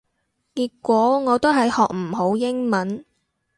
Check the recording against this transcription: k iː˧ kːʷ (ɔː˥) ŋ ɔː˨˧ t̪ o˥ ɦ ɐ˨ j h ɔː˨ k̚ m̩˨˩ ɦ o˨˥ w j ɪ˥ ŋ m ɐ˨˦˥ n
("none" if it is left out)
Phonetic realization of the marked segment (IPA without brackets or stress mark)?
ɔː˨˥